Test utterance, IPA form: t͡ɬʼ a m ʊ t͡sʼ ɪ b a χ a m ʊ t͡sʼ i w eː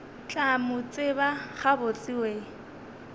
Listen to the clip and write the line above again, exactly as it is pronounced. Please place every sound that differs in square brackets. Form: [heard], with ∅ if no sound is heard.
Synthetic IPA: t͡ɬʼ a m ʊ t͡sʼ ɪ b a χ a [b] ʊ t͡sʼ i w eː